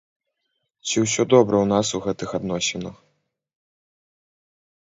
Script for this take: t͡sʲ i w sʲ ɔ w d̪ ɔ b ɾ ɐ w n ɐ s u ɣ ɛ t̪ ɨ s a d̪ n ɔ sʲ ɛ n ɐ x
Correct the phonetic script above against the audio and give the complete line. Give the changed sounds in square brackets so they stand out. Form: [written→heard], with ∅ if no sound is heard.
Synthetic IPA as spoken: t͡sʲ i w sʲ ɔ [w→∅] d̪ ɔ b ɾ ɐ w n [ɐ→a] s u ɣ ɛ t̪ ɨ [s→x] a d̪ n ɔ sʲ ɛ n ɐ x